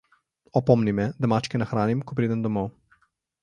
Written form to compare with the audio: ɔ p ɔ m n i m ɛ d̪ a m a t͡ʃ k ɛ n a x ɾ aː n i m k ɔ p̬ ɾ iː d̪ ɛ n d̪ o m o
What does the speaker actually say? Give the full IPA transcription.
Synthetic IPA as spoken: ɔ p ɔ m n i m ɛ d̪ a m a t͡ʃ k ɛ n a x ɾ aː n i m k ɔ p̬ ɾ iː d̪ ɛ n d̪ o m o